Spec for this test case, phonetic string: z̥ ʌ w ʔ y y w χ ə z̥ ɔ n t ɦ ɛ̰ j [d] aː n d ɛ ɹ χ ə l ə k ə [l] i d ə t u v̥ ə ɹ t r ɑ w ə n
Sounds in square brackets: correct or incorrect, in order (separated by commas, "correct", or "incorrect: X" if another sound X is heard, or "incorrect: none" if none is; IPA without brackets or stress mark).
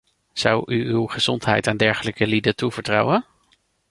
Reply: incorrect: t, correct